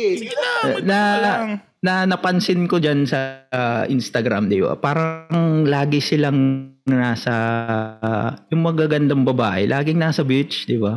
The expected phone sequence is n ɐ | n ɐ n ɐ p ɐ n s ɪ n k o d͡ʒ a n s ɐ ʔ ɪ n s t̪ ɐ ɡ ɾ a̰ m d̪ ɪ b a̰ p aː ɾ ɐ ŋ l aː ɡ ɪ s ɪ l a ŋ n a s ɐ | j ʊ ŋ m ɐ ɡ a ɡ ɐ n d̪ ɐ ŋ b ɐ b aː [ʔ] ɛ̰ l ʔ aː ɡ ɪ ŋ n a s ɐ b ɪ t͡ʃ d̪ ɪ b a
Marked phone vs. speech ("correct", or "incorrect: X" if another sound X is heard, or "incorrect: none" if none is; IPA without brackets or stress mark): correct